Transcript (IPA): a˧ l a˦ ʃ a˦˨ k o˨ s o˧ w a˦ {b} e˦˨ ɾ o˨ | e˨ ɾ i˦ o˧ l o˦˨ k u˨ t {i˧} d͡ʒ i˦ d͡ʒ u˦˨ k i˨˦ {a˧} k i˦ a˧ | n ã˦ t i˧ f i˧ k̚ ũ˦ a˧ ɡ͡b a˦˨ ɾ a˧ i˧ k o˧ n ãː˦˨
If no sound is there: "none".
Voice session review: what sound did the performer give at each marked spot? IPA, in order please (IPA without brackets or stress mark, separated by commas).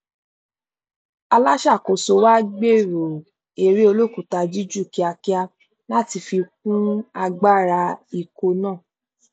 ɡ͡b, a˧, a˧